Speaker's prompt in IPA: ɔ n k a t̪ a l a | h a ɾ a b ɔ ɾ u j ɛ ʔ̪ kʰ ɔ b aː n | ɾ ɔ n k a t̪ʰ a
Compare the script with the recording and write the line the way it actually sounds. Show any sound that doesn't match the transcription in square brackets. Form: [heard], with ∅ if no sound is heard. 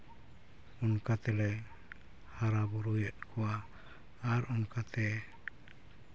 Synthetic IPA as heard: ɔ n k a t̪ [ɛ] l [ɛ] | h a ɾ a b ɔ ɾ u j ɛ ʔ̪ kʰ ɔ [w] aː [∅] | ɾ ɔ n k a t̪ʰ [ɛ]